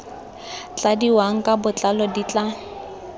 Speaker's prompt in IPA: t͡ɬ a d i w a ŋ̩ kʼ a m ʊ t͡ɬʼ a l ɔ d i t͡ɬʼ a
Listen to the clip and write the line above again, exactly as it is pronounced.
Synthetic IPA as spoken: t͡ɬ a d i w a ŋ̩ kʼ a b ʊ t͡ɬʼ a l ɔ d i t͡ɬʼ a